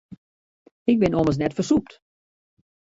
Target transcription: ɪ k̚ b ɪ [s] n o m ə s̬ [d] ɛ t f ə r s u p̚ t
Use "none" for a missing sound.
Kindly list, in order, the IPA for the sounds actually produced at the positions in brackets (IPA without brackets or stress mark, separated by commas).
none, n